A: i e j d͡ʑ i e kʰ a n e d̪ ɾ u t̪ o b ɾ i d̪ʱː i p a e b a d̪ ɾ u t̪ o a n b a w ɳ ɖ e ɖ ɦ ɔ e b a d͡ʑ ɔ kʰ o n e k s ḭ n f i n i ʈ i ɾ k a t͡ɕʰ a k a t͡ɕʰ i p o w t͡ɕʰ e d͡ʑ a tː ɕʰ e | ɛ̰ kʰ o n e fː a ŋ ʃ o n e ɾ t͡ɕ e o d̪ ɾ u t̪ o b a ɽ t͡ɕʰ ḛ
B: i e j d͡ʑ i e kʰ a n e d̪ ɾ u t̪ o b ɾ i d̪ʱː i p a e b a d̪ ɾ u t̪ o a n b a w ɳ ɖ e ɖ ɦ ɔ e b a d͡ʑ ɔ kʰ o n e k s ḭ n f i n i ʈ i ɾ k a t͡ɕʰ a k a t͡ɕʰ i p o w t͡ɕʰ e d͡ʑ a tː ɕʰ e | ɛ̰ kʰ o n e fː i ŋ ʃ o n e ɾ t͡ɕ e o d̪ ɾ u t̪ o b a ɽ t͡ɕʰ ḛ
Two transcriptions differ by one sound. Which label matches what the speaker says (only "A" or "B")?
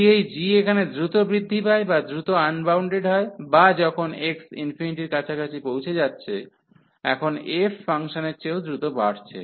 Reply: A